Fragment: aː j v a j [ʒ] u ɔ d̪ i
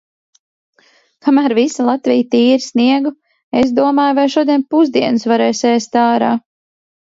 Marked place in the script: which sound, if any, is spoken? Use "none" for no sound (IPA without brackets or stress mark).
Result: ʃ